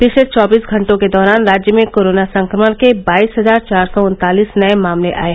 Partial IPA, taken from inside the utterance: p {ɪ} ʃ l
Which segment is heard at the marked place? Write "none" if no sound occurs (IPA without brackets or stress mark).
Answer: ɪ